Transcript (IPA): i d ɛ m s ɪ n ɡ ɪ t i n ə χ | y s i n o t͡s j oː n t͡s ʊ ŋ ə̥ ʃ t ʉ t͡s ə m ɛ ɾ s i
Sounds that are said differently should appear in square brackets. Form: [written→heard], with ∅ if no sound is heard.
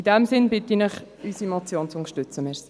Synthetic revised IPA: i d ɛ m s ɪ n [ɡ→b] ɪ t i n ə χ | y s i [n→m] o t͡s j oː n t͡s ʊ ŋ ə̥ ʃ t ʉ t͡s ə m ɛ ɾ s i